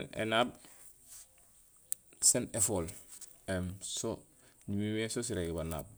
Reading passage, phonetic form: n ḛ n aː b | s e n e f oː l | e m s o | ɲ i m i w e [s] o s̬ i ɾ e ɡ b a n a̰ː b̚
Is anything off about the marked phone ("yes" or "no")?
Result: no